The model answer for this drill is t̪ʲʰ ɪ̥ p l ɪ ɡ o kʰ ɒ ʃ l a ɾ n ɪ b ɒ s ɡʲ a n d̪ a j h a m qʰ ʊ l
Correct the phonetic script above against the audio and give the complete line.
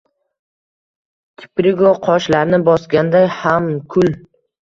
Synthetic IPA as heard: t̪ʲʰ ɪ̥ p ɾ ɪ ɡ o qʰ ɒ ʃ l a ɾ n ɪ b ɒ s ɡʲ a n d̪ a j h a m kʰ ʊ l

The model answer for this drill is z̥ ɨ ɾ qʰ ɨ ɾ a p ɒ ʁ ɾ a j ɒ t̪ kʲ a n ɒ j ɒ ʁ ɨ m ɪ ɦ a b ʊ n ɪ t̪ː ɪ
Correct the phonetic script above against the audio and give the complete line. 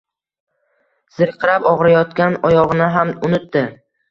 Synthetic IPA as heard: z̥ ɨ ɾ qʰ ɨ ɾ a p ɒ ʁ ɾ a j ɒ t̪ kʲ a n ɒ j ɒ ʁ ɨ n ɪ ɦ a m ʊ n ɪ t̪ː ɪ

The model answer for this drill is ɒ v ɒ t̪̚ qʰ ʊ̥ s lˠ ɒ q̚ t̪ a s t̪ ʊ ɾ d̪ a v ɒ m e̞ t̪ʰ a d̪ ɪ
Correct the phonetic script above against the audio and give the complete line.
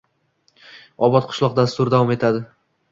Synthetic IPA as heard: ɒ b ɒ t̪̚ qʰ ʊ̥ ʃ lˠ ɒ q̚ d̪ a s t̪ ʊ ɾ d̪ a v ɒ m e̞ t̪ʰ a d̪ ɪ

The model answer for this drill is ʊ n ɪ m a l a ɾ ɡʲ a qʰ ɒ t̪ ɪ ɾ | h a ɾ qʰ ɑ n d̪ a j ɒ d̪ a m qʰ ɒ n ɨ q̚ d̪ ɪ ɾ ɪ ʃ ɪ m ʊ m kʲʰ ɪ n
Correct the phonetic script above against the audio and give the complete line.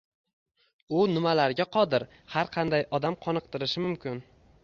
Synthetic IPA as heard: ʊ n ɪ m a l a ɾ ɡʲ a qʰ ɒ d̪ ɪ ɾ | h a ɾ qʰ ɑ n d̪ a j ɒ d̪ a m qʰ ɒ n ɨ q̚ t̪ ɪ ɾ ɪ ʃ ɪ m ʊ m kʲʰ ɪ n

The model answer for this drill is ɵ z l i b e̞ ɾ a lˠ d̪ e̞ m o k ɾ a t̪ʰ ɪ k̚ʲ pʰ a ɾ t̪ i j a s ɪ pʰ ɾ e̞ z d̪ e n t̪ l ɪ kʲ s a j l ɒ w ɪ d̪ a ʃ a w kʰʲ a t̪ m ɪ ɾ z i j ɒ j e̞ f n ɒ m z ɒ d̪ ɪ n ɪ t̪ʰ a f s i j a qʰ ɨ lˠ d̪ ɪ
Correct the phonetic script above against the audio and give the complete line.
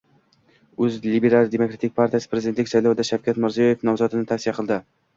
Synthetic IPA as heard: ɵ z l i b e̞ ɾ a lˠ d̪ e̞ m o k ɾ a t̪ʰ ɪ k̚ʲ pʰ a ɾ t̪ i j a s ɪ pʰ ɾ e̞ z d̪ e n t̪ l ɪ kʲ s a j l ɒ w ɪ d̪ a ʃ a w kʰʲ a t̪ m ɪ ɾ z i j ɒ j e̞ f n ɒ m z ɒ d̪ ɪ n ɪ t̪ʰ a f s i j a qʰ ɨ lˠ d̪ ɪ

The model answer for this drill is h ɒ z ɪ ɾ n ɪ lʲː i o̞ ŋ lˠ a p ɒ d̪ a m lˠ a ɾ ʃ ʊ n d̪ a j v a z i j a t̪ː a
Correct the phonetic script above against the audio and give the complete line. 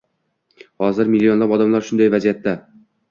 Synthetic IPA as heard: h ɒ z ɪ ɾ m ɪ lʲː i o̞ n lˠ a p ɒ d̪ a m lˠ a ɾ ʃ ʊ n d̪ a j v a z i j a t̪ː a

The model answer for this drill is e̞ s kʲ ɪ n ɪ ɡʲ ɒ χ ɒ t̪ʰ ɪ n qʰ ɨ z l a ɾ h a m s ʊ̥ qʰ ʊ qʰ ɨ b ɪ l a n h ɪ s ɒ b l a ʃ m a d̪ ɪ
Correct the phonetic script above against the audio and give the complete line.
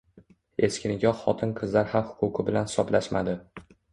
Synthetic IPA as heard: e̞ s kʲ ɪ n ɪ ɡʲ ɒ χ ɒ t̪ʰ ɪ n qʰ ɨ z l a ɾ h a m h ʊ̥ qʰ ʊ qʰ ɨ b ɪ l a n h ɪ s ɒ b l a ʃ m a d̪ ɪ

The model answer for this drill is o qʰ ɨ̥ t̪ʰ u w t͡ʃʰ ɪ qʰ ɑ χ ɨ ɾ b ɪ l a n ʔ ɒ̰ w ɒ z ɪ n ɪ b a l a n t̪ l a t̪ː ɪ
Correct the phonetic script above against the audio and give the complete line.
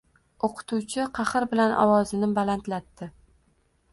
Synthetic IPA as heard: o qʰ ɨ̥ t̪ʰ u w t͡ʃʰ ɪ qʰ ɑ χ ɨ ɾ b ɪ l a n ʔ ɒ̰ w ɒ z ɪ n ɪ b a l a n t̪ l a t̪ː ɪ

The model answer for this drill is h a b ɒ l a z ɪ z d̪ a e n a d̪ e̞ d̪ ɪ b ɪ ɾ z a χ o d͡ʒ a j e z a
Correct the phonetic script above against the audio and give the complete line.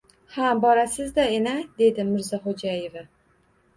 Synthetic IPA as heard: h a b ɒ ɾ a s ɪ z d̪ a e n a d̪ e̞ d̪ ɪ m ɪ ɾ z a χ o d͡ʒ a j e v a

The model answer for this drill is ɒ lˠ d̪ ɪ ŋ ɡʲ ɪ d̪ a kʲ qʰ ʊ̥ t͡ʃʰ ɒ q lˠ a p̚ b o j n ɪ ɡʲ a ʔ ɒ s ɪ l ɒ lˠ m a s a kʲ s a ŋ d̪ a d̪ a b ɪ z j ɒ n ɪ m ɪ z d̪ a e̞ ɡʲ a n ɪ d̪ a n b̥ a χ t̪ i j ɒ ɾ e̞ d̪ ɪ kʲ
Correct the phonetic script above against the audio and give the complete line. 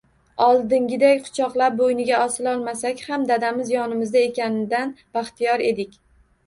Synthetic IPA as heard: ɒ lˠ d̪ ɪ ŋ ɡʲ ɪ d̪ a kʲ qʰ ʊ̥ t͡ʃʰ ɒ q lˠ a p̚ b o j n ɪ ɡʲ a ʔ ɒ s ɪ l ɒ lˠ m a s a kʲ h a m d̪ a d̪ a m ɪ z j ɒ n ɪ m ɪ z d̪ a e̞ kʲ a n ɪ d̪ a n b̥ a χ t̪ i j ɒ ɾ e̞ d̪ ɪ kʲ

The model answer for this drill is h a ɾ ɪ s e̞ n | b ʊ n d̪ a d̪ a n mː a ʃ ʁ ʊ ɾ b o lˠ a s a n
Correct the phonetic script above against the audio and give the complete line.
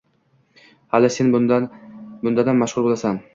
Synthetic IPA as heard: h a l ɪ s e̞ n | b ʊ n d̪ a d̪ a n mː a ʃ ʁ ʊ ɾ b o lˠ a s a n

